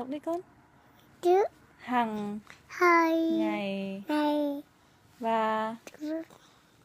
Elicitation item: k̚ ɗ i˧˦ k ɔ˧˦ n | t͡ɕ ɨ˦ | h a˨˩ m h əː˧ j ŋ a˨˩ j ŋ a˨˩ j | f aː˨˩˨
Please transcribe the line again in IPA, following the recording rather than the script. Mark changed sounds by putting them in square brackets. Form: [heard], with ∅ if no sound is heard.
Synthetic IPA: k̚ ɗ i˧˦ k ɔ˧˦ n | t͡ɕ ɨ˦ | h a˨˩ [ŋ] h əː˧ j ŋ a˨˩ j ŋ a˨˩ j | [v] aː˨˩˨